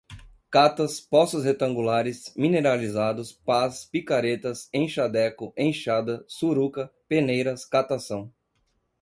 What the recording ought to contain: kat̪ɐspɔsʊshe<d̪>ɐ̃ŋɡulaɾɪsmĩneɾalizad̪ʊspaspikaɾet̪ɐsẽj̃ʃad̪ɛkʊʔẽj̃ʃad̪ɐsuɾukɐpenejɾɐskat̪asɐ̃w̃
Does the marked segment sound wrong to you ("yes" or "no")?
yes